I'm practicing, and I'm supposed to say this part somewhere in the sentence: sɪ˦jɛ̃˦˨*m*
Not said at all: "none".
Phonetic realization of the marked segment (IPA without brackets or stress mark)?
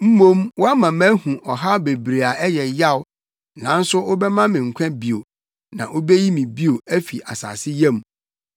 m